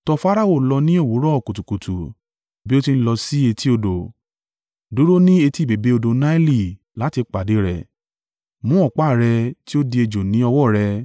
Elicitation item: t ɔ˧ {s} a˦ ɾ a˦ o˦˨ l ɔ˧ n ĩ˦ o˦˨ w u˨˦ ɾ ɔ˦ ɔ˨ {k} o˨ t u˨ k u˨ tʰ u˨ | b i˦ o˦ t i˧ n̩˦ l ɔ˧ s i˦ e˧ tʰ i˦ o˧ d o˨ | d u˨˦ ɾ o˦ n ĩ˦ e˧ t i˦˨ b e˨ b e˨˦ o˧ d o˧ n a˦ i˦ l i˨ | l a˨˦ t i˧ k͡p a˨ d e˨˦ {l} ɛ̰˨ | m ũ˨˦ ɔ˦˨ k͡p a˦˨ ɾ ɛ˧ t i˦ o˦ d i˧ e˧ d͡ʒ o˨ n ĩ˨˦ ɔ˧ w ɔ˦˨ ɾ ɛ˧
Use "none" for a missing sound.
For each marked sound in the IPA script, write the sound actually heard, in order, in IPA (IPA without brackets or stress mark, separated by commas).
f, k, ɾ